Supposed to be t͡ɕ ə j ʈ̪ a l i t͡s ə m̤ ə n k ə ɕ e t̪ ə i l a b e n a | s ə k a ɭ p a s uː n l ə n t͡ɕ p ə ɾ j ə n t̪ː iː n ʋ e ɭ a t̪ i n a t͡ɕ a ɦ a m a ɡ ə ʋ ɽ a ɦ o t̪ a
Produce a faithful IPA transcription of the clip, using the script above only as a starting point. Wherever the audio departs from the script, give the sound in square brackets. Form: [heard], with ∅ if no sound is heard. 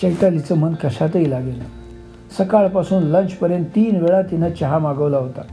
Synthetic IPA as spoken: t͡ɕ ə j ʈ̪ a l i t͡s ə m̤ ə n k ə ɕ [a] t̪ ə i l a [ɡ] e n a | s ə k a ɭ p a s uː n l ə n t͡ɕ p ə ɾ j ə n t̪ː iː n ʋ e ɭ a t̪ i n a t͡ɕ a ɦ a m a ɡ ə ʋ [l] a ɦ o t̪ a